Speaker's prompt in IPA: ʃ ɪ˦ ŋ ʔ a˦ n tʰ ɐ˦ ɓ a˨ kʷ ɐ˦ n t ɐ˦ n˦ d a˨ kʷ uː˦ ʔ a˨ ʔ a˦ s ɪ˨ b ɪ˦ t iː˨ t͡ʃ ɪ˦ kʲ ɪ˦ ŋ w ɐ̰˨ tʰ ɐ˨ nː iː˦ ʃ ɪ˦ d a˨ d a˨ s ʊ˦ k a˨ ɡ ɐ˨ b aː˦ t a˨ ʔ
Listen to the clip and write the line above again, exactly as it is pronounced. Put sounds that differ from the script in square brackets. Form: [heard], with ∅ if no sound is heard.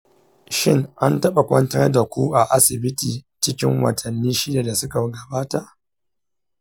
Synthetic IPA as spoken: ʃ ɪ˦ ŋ ʔ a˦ n [t] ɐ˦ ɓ a˨ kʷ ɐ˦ n t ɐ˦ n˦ d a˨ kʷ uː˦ ʔ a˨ ʔ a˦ s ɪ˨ b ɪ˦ t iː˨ t͡ʃ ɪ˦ kʲ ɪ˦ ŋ w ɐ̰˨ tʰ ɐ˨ nː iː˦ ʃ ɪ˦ d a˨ d a˨ s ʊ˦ k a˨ ɡ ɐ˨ b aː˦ t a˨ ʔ